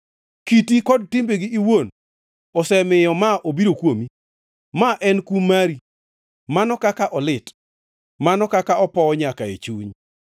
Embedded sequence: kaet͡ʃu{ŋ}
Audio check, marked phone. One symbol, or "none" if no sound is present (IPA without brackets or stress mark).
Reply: ɲ